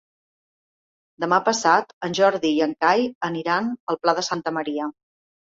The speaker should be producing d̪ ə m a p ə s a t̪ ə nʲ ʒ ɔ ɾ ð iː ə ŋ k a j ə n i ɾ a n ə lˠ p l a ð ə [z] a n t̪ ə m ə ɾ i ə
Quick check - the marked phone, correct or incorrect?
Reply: incorrect: s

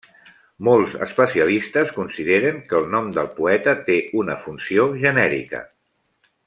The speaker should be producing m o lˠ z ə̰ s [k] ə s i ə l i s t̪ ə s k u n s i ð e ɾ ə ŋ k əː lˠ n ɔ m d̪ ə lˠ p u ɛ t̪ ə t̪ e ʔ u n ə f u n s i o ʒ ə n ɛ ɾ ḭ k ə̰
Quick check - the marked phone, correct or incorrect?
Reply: incorrect: p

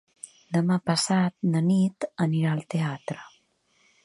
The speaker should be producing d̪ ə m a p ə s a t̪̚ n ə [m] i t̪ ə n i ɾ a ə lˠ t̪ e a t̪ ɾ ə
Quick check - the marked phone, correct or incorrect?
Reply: incorrect: n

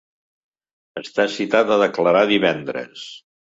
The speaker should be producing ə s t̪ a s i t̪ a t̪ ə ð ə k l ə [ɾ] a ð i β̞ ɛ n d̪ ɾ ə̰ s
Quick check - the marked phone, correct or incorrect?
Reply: correct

